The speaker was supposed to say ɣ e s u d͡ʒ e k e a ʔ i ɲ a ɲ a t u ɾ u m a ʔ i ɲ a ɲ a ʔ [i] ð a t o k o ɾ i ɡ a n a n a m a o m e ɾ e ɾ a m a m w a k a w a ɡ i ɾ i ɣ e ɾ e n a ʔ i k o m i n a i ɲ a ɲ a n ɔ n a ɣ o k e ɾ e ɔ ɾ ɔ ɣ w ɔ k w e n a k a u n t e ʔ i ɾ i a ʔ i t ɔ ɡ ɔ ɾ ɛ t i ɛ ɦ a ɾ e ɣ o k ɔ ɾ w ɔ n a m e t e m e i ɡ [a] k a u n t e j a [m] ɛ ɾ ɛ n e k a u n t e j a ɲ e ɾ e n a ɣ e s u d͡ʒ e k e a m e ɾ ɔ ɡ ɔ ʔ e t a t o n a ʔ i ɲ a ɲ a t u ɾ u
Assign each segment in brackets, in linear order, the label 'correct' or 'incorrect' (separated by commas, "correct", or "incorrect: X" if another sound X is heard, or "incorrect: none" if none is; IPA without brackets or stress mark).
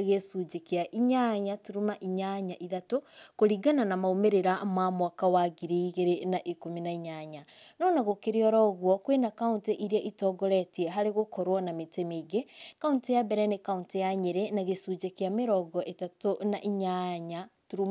correct, incorrect: e, incorrect: b